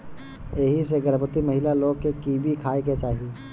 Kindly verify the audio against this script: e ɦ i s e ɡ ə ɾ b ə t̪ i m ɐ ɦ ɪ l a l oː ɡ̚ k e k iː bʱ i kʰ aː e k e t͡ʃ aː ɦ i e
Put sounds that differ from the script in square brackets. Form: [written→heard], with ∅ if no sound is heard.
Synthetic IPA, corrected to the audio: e ɦ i s e ɡ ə ɾ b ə t̪ i m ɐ ɦ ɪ l a l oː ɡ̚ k e k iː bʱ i kʰ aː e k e t͡ʃ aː ɦ i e